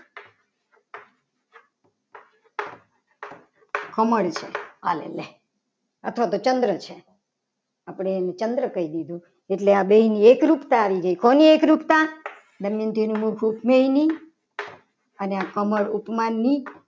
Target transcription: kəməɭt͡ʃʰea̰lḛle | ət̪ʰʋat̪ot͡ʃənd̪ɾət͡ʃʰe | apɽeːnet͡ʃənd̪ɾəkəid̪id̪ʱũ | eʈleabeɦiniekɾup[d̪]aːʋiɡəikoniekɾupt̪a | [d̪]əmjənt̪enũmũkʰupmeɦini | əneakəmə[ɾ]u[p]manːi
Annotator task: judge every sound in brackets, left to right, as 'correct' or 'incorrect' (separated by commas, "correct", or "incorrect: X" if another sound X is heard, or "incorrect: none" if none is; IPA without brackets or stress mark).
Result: incorrect: t̪, correct, incorrect: ɭ, correct